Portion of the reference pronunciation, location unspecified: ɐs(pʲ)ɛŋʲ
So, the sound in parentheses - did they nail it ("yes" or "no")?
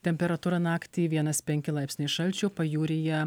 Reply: yes